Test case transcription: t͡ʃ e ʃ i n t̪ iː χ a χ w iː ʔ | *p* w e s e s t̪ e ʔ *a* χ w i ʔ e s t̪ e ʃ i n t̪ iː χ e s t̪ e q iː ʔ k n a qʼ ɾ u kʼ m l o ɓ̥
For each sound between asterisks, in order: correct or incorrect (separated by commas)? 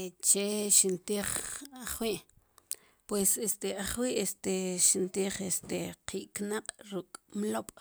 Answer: correct, correct